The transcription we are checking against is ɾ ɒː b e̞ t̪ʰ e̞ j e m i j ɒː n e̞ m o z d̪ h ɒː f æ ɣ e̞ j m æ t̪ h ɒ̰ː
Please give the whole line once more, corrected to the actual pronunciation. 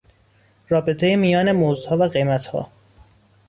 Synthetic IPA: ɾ ɒː b e̞ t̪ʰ e̞ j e m i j ɒː n e̞ m o z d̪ h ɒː v æ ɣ e̞ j m æ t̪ h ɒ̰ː